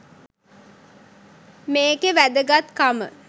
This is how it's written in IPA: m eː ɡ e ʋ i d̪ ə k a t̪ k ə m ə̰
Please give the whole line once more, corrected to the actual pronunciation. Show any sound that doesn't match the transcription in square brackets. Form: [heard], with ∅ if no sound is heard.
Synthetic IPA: m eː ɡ e ʋ [æ] d̪ ə [ɡ] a t̪ k [a] m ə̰

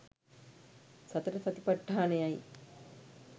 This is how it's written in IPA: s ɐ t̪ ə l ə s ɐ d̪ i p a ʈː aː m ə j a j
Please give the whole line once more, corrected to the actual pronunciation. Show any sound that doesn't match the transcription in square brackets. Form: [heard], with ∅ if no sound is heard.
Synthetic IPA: s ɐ t̪ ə [ɾ] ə s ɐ [t̪] i p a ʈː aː [n] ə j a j

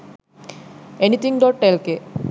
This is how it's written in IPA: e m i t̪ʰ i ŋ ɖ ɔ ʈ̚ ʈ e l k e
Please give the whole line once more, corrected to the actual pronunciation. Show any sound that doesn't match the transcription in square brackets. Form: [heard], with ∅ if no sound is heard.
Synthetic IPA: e [n] i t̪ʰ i ŋ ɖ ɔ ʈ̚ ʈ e l k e

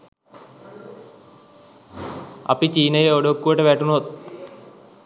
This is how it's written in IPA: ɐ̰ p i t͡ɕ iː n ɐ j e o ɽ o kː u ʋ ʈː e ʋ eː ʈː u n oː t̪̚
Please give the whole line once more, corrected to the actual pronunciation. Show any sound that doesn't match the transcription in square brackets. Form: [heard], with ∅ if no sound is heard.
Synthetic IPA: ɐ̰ p i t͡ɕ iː n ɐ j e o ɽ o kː u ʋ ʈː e ʋ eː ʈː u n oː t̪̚

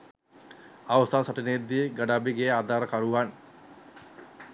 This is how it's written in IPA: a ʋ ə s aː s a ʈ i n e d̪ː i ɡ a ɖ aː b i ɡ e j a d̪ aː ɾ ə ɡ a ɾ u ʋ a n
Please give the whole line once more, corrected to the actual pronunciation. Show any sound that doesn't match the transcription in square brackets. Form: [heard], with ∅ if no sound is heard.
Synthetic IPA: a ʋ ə s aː s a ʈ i n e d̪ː i ɡ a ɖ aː b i ɡ e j a d̪ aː ɾ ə [k] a ɾ u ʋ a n

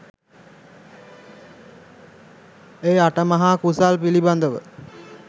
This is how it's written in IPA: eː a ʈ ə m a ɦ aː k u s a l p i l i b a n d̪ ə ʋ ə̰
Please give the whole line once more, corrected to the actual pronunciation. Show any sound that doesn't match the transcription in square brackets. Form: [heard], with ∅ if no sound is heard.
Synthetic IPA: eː a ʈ ə m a ɦ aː k u s a l p i l i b a n d̪ ə ʋ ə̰

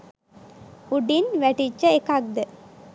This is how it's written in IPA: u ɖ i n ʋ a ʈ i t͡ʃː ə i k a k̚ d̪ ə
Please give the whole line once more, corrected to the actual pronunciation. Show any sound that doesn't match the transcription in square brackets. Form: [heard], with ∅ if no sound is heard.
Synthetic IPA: u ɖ i n ʋ [æ] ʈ i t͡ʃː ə [e] k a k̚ d̪ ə

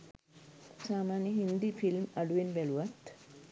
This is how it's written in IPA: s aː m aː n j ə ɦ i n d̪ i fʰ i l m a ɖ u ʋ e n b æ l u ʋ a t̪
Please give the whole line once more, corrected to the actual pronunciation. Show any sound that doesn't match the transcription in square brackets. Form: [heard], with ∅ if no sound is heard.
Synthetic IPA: s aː m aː n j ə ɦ i n d̪ i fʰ i l m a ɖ u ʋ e n b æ l u ʋ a t̪

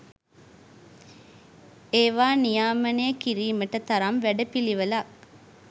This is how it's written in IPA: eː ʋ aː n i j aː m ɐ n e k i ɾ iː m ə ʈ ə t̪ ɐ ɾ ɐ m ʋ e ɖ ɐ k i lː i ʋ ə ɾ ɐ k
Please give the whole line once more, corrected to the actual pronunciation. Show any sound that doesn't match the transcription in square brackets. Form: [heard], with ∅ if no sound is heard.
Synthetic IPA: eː ʋ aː n i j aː m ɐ n e k i ɾ iː m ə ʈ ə t̪ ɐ ɾ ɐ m ʋ [æ] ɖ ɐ [p] i [l] i ʋ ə [l] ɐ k

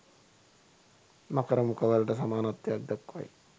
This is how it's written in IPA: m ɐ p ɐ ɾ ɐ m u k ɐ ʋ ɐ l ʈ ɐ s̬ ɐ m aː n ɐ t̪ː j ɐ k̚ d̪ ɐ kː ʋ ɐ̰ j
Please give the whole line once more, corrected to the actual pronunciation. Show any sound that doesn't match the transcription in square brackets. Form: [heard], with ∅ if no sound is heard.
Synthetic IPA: m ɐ [k] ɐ ɾ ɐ m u k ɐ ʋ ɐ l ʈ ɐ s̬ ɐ m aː n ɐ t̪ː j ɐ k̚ d̪ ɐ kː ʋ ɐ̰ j

